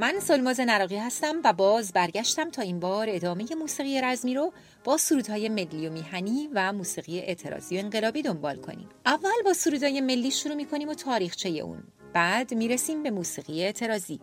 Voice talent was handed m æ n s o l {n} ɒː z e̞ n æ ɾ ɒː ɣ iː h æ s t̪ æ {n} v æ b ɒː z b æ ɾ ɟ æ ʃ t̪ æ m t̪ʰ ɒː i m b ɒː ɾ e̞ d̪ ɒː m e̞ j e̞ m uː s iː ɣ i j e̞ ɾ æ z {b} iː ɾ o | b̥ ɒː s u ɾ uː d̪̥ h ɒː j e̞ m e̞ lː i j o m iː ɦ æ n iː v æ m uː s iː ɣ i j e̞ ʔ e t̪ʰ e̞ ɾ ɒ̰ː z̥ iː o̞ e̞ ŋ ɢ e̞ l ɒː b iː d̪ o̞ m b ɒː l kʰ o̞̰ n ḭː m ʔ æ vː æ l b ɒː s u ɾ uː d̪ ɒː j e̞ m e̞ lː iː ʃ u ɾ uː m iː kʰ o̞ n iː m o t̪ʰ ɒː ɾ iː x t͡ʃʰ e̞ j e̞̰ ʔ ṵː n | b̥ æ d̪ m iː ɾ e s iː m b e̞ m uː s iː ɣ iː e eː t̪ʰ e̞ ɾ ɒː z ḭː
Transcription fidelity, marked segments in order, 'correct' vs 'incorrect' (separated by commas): incorrect, incorrect, incorrect